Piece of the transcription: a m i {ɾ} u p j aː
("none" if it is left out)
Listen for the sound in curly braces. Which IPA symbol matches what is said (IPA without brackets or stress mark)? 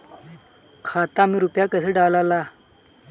ɾ